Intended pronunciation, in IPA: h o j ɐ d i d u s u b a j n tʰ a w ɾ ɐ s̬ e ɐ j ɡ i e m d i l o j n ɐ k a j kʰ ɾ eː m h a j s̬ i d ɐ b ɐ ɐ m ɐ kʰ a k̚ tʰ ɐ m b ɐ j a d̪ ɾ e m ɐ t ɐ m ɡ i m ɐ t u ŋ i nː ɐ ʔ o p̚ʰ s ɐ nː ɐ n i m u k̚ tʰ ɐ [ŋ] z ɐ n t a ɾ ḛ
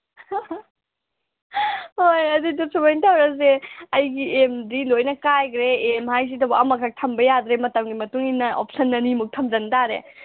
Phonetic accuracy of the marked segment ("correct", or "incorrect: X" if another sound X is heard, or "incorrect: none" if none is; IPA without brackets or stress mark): incorrect: m